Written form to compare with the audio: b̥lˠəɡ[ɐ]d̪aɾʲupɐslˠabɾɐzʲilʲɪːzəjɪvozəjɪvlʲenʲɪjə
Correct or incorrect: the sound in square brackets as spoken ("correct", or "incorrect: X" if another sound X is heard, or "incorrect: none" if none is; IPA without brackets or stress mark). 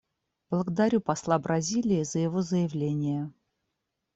incorrect: ə